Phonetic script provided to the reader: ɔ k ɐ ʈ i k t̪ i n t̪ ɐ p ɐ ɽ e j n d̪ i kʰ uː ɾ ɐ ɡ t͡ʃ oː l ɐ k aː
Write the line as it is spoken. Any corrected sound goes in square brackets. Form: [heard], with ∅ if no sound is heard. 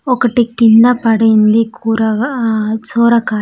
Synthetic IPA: ɔ k ɐ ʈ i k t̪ i n [d̪] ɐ p ɐ ɽ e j n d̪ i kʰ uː ɾ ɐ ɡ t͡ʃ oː [ɾ] ɐ k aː